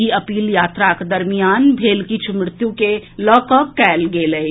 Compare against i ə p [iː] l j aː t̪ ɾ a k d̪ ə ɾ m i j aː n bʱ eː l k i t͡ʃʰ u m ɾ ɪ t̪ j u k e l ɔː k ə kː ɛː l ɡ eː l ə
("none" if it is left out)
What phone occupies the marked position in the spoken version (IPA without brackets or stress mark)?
iː